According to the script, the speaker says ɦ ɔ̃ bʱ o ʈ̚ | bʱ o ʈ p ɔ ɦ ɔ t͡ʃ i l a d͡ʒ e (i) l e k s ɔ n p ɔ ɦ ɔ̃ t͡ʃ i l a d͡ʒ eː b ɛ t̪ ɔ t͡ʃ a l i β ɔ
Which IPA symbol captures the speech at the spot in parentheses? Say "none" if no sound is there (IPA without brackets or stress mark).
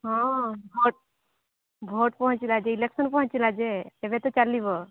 i